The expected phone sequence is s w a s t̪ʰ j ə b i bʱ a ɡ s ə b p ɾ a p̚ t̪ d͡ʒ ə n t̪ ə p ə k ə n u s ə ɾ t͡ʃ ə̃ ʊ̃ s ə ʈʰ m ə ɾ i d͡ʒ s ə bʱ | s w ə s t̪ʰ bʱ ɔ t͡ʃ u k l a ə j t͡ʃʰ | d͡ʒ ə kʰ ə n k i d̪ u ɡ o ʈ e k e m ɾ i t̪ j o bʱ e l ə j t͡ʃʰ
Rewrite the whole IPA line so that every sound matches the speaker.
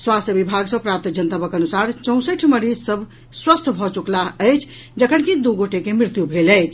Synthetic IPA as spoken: s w a s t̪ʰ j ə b i bʱ a ɡ s ə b p ɾ a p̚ t̪ d͡ʒ ə n t̪ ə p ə k ə n u s a ɾ t͡ʃ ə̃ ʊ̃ s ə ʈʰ m ə ɾ i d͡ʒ s ə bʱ | s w ə s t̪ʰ bʱ ɔ t͡ʃ u k l a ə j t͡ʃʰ | d͡ʒ ə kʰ ə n k i d̪ u ɡ o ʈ e k e m ɾ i t̪ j u bʱ e l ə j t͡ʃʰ